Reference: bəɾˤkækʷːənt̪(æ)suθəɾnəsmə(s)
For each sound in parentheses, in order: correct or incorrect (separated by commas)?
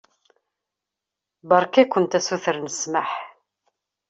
correct, incorrect